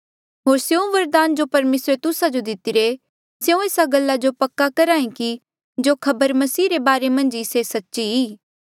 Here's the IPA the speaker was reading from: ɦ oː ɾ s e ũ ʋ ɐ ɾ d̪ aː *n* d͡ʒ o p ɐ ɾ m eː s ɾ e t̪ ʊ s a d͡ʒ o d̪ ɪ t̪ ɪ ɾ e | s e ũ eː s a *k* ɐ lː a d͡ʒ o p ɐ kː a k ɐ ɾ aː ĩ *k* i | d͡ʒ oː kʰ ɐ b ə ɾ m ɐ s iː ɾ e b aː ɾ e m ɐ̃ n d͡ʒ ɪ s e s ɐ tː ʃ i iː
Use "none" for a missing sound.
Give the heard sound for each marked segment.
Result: n, ɡ, k

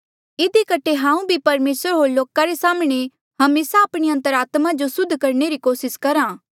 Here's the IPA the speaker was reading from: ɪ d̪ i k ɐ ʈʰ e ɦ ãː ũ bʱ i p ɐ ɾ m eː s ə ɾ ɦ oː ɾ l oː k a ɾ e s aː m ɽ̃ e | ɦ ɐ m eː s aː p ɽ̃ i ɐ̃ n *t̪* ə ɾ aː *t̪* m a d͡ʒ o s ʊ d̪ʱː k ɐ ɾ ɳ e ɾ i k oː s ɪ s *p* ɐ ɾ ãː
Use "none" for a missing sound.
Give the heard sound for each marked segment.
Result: t̪, t̪, k

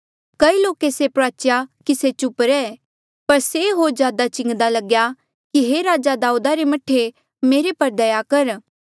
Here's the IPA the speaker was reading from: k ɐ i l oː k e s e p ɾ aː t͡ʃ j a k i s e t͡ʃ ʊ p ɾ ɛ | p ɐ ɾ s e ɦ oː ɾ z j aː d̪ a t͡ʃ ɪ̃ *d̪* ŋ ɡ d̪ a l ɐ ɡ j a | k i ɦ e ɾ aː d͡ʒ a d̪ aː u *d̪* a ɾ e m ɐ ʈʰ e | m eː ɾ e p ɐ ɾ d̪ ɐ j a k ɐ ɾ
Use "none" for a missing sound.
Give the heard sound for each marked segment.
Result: none, d̪

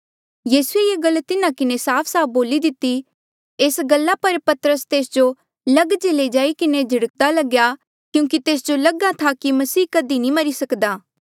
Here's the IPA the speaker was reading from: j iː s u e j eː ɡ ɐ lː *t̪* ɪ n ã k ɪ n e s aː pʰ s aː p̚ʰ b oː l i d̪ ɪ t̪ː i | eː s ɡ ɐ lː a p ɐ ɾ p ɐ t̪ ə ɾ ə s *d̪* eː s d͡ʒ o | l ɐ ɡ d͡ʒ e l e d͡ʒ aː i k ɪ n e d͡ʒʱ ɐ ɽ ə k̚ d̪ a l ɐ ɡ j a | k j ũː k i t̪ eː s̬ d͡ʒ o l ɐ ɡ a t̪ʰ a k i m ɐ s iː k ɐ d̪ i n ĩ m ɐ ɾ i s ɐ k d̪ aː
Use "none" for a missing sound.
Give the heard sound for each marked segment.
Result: t̪, t̪

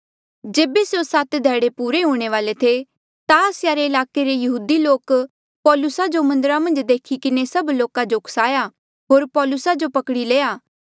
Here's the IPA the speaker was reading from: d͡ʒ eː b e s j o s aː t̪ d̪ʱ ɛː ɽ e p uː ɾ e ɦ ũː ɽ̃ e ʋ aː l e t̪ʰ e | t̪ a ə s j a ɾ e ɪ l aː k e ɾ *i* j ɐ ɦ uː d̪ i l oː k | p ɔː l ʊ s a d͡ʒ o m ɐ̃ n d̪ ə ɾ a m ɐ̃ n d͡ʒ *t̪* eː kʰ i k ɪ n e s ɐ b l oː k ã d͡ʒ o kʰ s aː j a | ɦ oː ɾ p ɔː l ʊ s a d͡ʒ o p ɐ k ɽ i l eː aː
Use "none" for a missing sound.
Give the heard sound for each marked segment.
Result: e, d̪

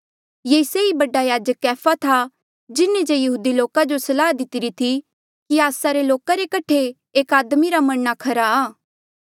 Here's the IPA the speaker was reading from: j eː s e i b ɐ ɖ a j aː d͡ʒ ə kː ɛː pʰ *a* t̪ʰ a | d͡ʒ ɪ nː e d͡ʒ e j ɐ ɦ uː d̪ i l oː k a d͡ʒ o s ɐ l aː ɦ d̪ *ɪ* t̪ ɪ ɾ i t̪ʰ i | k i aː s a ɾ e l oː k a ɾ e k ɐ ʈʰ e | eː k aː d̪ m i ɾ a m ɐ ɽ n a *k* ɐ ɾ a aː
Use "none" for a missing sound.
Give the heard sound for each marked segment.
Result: a, ɪ, kʰ

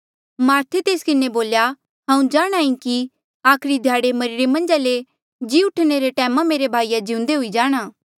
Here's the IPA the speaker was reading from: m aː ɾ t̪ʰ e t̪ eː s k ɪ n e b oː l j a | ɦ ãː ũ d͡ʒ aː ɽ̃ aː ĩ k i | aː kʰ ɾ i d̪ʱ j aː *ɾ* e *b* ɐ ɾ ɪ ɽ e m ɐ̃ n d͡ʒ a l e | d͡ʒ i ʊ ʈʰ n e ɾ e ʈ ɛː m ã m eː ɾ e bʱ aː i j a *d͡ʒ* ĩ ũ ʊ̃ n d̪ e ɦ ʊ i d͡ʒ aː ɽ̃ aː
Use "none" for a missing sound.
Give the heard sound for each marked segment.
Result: ɽ, m, d͡ʒ

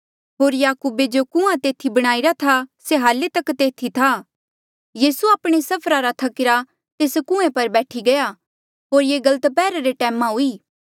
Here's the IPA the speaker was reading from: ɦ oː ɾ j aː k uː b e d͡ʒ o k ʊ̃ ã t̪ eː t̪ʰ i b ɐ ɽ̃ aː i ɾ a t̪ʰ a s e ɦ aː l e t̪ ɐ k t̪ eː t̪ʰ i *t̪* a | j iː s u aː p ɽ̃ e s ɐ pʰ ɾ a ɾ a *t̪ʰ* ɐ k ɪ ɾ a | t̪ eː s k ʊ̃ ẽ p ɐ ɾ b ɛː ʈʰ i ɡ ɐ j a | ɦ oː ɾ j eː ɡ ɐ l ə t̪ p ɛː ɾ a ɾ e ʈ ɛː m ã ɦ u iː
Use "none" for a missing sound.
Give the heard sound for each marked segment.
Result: t̪ʰ, t̪ʰ

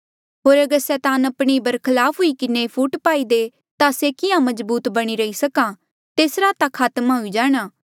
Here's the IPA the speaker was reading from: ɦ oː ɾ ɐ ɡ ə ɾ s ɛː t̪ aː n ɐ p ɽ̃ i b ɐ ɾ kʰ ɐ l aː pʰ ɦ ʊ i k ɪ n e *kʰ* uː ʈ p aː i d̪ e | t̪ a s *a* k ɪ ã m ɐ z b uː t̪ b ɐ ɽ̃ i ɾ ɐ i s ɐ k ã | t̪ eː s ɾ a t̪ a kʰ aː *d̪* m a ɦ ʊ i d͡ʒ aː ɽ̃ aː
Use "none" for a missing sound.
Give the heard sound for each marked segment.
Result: pʰ, e, t̪

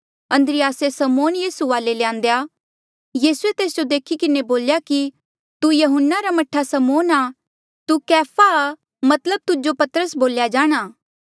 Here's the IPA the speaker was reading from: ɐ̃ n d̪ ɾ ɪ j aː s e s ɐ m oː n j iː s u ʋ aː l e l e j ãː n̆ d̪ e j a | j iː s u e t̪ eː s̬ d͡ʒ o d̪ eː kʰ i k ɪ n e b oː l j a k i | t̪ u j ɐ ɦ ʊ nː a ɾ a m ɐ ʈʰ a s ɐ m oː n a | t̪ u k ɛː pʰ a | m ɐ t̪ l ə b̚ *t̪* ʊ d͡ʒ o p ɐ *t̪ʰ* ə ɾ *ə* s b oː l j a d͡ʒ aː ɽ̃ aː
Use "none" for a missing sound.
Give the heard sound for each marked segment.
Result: t̪, t̪, ə

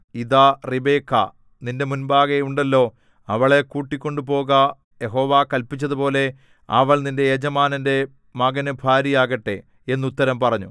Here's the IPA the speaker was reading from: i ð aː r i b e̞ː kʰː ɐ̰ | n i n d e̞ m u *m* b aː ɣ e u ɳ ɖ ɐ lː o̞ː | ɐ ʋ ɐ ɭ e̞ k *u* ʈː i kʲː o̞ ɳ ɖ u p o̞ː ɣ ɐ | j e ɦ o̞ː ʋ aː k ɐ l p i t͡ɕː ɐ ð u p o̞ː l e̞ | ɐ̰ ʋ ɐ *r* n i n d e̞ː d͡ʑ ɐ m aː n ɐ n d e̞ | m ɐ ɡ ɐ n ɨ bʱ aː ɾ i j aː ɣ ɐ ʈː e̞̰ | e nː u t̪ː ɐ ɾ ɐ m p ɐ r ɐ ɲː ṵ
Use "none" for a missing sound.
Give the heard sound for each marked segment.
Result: n, uː, ɭ

